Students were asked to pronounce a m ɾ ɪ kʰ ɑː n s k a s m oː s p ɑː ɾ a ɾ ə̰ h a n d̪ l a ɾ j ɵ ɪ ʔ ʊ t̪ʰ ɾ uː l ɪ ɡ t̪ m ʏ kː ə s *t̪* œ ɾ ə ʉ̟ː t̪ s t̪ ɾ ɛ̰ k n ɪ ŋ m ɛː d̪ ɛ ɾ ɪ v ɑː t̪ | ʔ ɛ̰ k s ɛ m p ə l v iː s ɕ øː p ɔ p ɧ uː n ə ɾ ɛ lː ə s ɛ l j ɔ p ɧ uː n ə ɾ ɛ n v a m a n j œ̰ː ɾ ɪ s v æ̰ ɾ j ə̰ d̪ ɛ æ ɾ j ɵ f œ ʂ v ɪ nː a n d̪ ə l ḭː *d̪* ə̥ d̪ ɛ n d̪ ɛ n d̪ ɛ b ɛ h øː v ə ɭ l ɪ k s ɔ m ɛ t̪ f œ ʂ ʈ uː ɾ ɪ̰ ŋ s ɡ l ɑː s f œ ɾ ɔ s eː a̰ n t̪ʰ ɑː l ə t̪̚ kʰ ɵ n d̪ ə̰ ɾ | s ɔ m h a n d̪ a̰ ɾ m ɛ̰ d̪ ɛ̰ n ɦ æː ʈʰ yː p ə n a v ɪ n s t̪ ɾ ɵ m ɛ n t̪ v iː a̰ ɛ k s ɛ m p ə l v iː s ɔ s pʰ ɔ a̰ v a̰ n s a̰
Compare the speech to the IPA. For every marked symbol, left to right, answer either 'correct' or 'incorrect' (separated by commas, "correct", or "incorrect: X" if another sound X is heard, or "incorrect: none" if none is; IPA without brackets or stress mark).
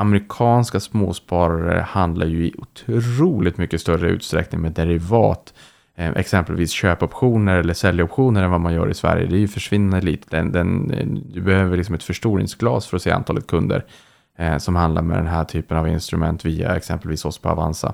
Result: correct, incorrect: t̪